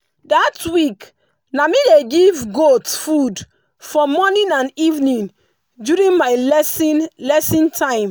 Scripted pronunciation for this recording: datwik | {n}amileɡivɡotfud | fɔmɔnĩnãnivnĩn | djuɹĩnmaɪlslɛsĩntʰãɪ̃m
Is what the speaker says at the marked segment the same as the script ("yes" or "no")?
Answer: yes